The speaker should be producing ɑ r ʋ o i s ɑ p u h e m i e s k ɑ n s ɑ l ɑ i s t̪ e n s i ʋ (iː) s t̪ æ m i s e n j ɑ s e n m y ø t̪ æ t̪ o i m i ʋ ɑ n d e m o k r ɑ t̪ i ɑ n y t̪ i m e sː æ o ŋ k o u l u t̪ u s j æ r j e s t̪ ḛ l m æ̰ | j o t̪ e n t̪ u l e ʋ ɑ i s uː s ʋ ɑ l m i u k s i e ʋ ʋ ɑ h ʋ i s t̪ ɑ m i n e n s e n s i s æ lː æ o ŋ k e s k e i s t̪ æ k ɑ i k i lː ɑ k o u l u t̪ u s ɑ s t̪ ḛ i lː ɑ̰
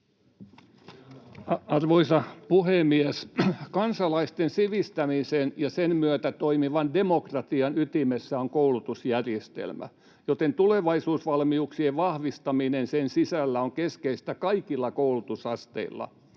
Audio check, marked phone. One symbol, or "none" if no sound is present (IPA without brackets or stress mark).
i